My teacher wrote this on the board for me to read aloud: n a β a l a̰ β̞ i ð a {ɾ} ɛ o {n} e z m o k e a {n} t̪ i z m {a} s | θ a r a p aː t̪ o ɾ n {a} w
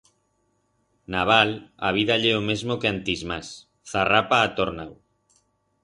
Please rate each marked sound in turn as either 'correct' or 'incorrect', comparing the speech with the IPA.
incorrect: ʎ, incorrect: m, correct, correct, correct

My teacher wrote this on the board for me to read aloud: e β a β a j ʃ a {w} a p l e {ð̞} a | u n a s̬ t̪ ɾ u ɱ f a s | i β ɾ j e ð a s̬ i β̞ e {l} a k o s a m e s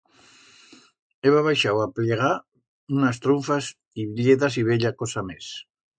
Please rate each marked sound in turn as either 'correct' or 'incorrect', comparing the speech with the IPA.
correct, incorrect: ɣ̞, incorrect: ʎ

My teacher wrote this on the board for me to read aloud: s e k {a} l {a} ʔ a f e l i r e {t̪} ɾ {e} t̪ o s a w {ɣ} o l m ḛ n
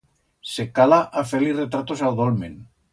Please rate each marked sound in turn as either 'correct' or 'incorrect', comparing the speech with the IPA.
correct, correct, correct, incorrect: a, incorrect: ð

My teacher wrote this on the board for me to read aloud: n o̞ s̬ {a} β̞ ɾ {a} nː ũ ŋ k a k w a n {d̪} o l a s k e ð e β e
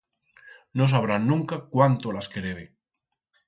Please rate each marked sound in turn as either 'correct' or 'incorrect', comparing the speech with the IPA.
correct, correct, incorrect: t̪

